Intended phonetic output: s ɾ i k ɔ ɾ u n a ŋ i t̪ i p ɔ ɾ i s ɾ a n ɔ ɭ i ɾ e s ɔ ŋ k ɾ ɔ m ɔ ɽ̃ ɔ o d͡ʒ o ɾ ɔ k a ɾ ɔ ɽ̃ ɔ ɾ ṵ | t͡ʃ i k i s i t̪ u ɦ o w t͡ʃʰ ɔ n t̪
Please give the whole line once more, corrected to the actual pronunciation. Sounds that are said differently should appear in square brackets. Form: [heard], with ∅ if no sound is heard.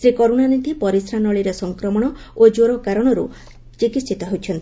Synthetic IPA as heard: s ɾ i k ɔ ɾ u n a [n] i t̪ i p ɔ ɾ i s ɾ a n ɔ ɭ i ɾ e s ɔ ŋ k ɾ ɔ m ɔ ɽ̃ ɔ o d͡ʒ o ɾ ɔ k a ɾ ɔ ɽ̃ ɔ ɾ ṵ | t͡ʃ i k i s i t̪ [ɔ] ɦ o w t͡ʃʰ ɔ n t̪

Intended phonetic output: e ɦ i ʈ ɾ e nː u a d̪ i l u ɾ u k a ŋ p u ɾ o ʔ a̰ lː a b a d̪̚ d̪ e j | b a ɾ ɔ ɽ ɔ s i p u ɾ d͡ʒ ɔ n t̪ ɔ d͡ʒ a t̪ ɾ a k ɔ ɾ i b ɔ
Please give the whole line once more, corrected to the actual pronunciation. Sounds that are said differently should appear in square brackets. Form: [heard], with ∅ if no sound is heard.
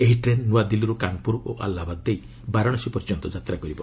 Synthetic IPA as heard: e ɦ i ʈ ɾ e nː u a d̪ i l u ɾ u k a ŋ p u ɾ o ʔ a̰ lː a b a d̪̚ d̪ e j | b a ɾ ɔ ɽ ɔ s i p [ɔ] ɾ d͡ʒ ɔ n t̪ ɔ d͡ʒ a t̪ ɾ a k ɔ ɾ i b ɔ

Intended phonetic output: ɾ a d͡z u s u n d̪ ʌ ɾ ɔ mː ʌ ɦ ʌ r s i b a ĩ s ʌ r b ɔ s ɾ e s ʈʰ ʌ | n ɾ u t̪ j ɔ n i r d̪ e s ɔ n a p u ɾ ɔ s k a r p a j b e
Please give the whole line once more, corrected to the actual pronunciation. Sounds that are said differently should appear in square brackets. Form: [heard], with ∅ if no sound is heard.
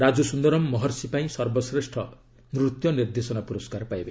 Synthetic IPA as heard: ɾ a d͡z u s u n d̪ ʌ ɾ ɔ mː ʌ ɦ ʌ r s i [p] a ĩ s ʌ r b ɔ s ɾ e s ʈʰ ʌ | n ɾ u t̪ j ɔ n i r d̪ e s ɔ n a p u ɾ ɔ s k a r p a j b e

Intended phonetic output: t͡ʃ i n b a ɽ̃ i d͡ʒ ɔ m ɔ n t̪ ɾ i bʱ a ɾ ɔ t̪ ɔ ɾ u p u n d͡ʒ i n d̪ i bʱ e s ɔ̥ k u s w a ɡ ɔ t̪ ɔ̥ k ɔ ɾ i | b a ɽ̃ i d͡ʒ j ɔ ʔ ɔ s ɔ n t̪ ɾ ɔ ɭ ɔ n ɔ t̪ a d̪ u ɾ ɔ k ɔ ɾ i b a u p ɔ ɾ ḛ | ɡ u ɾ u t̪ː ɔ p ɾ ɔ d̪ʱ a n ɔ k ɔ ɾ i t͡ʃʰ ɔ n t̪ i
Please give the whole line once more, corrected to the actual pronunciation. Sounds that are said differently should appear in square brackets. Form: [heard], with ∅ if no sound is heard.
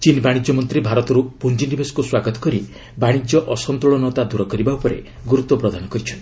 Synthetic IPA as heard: t͡ʃ i n b a ɽ̃ i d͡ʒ ɔ m ɔ n t̪ ɾ i bʱ a ɾ ɔ t̪ ɔ ɾ u p u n d͡ʒ i n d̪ i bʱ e s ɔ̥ k u s w a ɡ ɔ t̪ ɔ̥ k ɔ ɾ i | b a ɽ̃ i d͡ʒ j ɔ ʔ ɔ s ɔ n t̪ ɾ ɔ ɭ ɔ n ɔ t̪ a d̪ u ɾ ɔ k ɔ ɾ i b a u p ɔ ɾ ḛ | ɡ u ɾ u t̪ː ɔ p ɾ ɔ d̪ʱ a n ɔ k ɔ ɾ i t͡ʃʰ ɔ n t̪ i

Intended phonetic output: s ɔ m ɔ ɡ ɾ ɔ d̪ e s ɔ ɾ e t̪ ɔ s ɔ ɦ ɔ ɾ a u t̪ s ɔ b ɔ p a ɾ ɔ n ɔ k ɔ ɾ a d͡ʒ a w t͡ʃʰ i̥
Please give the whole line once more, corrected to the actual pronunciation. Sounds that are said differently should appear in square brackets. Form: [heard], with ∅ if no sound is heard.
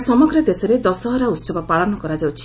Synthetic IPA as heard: s ɔ m ɔ ɡ ɾ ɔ d̪ e s ɔ ɾ e [d̪] ɔ s ɔ ɦ ɔ ɾ a u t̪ s ɔ b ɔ p a [ɭ] ɔ n ɔ k ɔ ɾ a d͡ʒ a w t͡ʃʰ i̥

